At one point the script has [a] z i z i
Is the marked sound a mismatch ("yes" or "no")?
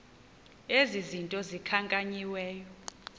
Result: yes